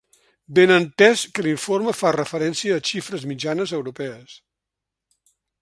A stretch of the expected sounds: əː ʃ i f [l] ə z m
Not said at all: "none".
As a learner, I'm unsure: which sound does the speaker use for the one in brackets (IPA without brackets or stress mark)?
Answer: ɾ